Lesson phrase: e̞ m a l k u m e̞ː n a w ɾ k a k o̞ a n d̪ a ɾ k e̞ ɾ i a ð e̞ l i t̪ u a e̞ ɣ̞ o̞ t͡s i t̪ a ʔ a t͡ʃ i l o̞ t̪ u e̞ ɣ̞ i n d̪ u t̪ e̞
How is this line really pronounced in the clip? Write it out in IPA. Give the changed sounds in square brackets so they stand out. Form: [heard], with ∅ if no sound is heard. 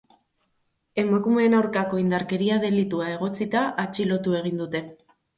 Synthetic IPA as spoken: e̞ m a [∅] k u m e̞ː n a w ɾ k a k o̞ [i] n d̪ a ɾ k e̞ ɾ i a ð e̞ l i t̪ u a e̞ ɣ̞ o̞ t͡s i t̪ a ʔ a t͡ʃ i l o̞ t̪ u e̞ ɣ̞ i n d̪ u t̪ e̞